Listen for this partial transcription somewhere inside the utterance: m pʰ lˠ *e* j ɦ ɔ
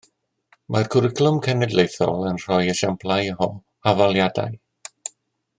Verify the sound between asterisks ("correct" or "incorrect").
incorrect